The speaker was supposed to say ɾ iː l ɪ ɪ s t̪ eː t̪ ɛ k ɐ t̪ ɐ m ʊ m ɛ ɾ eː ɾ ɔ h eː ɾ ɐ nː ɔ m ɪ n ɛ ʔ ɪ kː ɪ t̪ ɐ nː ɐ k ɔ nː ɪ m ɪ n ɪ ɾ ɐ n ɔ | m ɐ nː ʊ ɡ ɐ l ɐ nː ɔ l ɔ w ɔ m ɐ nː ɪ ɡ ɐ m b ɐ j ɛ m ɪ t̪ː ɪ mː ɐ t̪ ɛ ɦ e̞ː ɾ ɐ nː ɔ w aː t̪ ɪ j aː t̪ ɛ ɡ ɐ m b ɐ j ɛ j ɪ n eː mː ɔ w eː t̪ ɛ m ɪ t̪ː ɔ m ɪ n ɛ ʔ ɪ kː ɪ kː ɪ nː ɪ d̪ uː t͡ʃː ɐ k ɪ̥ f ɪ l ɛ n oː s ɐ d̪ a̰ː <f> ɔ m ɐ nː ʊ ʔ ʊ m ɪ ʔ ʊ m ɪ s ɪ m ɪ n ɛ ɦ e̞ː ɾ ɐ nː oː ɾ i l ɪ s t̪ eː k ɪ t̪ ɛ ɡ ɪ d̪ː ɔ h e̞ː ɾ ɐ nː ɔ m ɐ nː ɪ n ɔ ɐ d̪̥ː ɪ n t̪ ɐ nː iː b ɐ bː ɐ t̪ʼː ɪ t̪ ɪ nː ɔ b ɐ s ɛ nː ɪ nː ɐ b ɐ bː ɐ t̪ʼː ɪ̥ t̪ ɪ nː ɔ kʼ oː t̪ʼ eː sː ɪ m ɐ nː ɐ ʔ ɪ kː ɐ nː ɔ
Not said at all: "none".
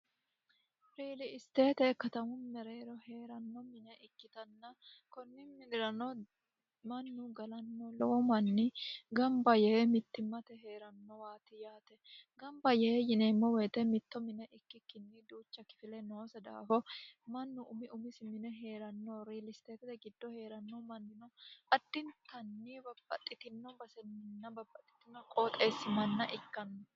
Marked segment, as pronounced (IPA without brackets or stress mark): f